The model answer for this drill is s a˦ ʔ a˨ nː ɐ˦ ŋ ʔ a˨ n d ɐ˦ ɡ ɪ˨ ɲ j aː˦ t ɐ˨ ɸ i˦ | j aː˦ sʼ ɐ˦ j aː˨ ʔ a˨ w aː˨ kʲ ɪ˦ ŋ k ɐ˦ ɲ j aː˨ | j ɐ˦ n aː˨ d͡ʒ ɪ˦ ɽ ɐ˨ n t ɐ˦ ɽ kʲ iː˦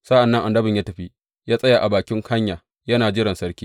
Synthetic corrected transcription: s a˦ ʔ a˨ nː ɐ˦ ŋ ʔ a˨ n d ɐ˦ b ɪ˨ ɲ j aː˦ t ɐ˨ ɸ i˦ | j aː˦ sʼ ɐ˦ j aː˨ ʔ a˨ b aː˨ kʲ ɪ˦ ŋ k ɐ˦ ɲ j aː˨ | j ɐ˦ n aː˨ d͡ʒ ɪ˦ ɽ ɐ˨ n s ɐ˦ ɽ kʲ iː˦